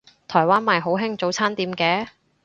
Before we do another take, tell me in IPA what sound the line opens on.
t̪ʰ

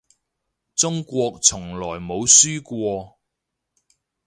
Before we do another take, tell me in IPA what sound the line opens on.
t͡s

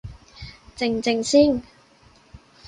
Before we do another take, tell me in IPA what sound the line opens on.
t͡s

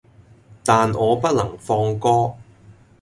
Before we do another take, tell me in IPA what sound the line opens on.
t̪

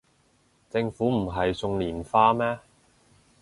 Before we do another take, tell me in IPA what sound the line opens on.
t͡s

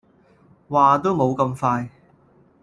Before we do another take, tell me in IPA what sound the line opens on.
w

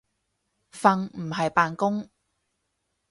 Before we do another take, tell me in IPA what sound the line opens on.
f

